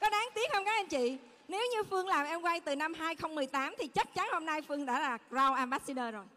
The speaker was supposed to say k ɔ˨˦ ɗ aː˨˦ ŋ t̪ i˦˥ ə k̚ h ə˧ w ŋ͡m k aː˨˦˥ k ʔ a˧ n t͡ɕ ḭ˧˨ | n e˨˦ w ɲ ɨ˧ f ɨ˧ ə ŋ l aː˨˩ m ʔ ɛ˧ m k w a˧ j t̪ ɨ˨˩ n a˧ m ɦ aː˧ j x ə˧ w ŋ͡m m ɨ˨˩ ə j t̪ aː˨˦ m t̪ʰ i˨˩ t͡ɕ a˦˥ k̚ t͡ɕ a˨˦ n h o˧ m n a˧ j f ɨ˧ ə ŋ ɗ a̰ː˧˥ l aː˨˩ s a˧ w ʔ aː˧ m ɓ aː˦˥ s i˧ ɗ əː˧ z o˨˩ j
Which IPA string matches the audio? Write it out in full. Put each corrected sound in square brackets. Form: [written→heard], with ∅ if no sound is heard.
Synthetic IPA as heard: k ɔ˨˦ ɗ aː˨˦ ŋ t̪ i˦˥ ə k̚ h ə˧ w ŋ͡m k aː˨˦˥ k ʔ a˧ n t͡ɕ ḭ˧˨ | n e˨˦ w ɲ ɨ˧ f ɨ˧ ə ŋ l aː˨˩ m ʔ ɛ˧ m k w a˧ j t̪ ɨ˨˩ n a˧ m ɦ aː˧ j x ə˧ w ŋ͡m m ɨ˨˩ ə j t̪ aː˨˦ m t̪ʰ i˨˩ t͡ɕ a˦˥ k̚ t͡ɕ a˨˦ n h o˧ m n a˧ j f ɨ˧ ə ŋ ɗ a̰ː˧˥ l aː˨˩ [s→z] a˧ w ʔ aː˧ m ɓ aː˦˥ s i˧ ɗ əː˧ z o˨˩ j